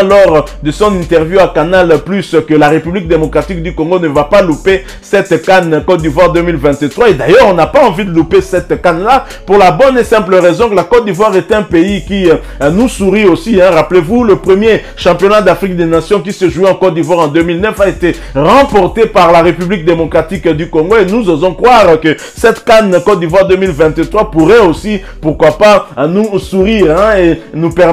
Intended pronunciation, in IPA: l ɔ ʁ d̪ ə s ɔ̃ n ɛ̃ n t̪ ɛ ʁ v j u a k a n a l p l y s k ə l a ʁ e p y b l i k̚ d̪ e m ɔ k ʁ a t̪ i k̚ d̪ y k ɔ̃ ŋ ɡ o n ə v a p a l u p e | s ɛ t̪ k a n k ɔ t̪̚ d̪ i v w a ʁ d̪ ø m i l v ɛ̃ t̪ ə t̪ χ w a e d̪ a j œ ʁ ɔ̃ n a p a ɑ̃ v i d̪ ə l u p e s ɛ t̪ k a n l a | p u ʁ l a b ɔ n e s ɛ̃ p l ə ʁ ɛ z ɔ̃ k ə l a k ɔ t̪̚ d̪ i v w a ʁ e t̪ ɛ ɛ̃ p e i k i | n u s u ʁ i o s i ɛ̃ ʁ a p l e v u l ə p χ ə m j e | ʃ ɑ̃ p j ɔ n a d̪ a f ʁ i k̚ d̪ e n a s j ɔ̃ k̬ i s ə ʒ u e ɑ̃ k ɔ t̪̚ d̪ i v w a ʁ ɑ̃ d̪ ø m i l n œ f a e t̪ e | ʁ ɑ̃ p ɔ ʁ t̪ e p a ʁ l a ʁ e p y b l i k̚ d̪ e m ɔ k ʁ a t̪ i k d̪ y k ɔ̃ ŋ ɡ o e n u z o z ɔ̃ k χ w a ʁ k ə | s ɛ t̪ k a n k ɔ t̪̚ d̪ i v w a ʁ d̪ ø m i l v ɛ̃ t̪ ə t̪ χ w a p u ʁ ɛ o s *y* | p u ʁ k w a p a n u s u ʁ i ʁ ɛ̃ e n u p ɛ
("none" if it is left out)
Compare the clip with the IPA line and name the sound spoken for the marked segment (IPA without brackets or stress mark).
i